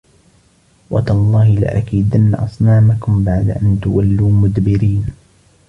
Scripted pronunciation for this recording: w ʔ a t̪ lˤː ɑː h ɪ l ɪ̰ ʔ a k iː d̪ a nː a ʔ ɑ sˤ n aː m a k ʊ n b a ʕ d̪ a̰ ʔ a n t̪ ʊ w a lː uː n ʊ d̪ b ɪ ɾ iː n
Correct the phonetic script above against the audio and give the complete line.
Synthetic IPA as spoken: w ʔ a t̪ lˤː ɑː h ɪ l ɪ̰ ʔ a k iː d̪ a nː a ʔ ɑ sˤ n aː m a k ʊ m b a ʕ d̪ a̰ ʔ a n t̪ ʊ w a lː uː m ʊ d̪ b ɪ ɾ iː n